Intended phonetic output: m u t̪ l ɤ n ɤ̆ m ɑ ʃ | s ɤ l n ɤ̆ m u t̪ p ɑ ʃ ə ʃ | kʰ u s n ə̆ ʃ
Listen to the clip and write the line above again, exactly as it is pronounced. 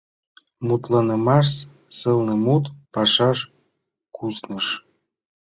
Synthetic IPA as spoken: m u t̪ l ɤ n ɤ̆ m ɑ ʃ | s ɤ l n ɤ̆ m u t̪ p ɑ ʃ ɑ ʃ | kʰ u s n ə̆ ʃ